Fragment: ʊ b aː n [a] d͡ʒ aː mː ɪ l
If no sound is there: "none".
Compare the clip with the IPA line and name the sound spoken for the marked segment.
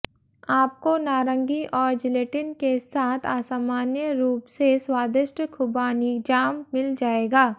i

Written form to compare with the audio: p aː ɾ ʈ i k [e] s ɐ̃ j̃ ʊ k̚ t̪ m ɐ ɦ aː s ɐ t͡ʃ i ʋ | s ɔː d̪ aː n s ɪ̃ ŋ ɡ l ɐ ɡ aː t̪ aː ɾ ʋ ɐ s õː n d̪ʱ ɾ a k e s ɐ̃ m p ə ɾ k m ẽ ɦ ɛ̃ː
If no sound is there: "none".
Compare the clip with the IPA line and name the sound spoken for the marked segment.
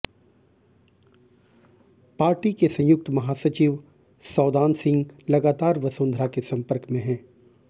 e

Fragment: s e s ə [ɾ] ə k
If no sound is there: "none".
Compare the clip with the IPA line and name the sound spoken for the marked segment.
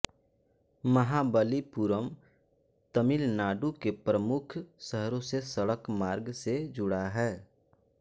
ɽ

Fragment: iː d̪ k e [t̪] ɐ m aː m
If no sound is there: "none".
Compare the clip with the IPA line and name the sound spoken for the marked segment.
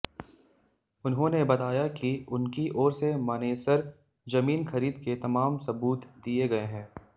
t̪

